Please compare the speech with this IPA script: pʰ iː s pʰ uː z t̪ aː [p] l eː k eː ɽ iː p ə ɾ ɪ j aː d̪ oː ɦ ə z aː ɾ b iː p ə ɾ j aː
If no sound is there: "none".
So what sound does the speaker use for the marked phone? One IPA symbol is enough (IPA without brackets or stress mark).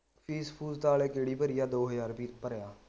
none